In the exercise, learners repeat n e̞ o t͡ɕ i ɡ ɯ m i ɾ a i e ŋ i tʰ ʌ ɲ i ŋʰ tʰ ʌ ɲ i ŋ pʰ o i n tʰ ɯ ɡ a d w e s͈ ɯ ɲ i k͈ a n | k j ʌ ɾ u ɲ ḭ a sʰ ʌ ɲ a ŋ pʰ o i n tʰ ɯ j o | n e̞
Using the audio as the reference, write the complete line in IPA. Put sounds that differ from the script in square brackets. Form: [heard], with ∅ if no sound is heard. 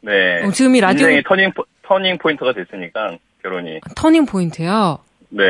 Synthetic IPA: n e̞ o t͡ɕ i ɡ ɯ m i ɾ a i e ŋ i tʰ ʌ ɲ i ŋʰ tʰ ʌ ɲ i ŋ pʰ o i n tʰ ɯ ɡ a d w e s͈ ɯ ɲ i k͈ a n | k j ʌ ɾ [o] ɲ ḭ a [tʰ] ʌ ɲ [i] ŋ pʰ o i n tʰ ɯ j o | n e̞